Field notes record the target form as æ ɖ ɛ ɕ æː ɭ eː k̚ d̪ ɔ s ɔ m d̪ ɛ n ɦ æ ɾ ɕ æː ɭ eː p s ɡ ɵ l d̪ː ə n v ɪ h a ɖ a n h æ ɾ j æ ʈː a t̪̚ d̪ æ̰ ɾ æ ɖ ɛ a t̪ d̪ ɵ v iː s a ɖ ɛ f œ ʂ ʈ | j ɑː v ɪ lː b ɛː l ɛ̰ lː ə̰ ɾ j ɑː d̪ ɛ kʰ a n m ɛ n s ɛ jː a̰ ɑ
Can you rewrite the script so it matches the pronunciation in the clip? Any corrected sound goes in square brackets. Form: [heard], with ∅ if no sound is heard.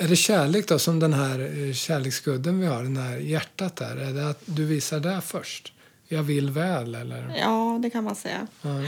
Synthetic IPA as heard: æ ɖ ɛ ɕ æː ɭ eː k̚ d̪ ɔ s ɔ m d̪ ɛ n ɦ æ ɾ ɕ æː ɭ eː [k] s ɡ ɵ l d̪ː ə n v ɪ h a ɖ [ɛ] n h æ ɾ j æ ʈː a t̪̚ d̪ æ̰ ɾ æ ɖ ɛ a t̪ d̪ ɵ v iː s a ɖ ɛ f œ ʂ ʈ | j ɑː v ɪ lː [v] ɛː l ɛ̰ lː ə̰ ɾ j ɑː d̪ ɛ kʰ a n m [a] n s ɛ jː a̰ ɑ